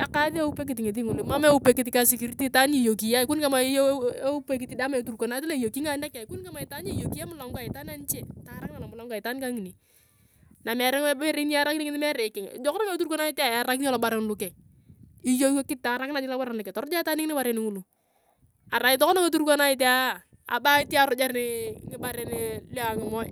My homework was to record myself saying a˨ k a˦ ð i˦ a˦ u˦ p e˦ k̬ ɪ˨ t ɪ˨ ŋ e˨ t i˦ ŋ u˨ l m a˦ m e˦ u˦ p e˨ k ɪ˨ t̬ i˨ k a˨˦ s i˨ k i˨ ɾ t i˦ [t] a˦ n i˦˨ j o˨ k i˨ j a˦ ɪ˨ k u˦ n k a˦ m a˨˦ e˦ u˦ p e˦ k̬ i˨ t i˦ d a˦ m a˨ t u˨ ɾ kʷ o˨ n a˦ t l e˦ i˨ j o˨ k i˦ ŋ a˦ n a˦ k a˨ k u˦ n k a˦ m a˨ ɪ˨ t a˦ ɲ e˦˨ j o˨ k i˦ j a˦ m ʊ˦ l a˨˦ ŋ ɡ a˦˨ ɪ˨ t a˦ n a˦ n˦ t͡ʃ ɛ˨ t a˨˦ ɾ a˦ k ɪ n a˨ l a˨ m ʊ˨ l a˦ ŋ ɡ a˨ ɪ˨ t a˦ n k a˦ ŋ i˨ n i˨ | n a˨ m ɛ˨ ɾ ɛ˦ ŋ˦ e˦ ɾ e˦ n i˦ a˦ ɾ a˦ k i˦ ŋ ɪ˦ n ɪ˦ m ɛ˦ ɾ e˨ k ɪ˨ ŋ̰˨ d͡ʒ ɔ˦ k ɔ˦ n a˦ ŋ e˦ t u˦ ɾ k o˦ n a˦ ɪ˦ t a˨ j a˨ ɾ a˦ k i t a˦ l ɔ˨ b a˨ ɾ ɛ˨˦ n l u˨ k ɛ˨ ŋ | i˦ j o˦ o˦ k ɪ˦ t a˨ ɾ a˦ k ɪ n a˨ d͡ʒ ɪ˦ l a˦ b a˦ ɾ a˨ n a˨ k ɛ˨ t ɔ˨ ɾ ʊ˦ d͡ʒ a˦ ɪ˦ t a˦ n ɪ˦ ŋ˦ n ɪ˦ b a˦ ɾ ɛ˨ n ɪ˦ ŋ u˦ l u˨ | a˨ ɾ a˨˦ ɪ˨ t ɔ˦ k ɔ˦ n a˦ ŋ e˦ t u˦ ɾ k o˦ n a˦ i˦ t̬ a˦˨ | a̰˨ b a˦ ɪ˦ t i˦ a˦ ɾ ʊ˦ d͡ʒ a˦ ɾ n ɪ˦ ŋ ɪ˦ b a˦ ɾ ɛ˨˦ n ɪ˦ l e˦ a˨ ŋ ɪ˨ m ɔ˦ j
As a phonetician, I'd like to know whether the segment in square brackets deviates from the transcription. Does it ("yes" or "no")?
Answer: no